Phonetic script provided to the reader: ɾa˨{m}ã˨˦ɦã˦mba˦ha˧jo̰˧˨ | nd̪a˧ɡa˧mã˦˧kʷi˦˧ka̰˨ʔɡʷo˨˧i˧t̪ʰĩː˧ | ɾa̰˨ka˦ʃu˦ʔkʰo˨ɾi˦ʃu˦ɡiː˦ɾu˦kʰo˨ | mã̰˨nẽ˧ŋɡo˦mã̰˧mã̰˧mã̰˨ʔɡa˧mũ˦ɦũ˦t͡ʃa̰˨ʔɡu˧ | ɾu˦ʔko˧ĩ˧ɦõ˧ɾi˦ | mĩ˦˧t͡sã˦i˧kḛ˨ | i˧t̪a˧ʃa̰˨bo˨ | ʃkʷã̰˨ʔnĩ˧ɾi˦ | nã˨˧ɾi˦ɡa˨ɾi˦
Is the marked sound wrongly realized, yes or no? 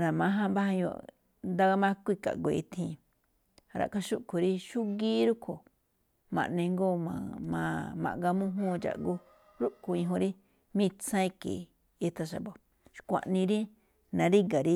no